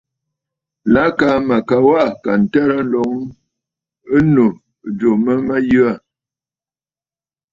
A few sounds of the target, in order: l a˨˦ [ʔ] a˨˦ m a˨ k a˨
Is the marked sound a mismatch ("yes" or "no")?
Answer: yes